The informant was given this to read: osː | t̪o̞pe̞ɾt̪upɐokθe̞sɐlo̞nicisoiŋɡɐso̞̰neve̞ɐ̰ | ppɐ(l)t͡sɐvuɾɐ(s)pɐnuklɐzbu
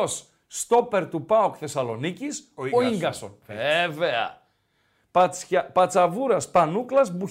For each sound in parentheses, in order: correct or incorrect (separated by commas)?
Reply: incorrect, correct